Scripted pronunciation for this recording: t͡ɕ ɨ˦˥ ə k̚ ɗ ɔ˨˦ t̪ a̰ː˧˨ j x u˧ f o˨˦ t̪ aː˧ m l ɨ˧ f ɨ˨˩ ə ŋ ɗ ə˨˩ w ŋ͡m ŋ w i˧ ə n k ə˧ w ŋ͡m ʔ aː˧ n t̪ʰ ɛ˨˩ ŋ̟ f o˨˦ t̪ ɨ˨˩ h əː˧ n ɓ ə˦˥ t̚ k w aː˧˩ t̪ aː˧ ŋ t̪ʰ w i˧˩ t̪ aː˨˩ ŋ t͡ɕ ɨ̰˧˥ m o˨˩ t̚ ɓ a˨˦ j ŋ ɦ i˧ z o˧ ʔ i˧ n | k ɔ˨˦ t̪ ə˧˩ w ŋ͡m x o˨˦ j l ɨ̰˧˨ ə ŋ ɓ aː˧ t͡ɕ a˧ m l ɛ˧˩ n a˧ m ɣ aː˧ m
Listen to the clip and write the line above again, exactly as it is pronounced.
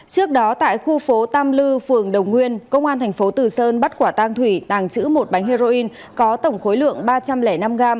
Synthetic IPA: t͡ɕ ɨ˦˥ ə k̚ ɗ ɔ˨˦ t̪ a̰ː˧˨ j x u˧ f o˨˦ t̪ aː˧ m l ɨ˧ f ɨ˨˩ ə ŋ ɗ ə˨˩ w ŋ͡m ŋ w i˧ ə n k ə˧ w ŋ͡m ʔ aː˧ n t̪ʰ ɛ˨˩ ŋ̟ f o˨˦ t̪ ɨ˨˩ s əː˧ n ɓ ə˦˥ t̚ k w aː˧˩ t̪ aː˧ ŋ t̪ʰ w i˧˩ t̪ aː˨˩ ŋ t͡ɕ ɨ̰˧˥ m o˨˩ t̚ ɓ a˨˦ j ŋ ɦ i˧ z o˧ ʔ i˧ n | k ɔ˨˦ t̪ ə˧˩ w ŋ͡m x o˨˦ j l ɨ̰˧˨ ə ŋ ɓ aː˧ t͡ɕ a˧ m l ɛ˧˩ n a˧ m ɣ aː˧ m